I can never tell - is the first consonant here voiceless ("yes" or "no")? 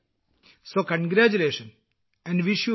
yes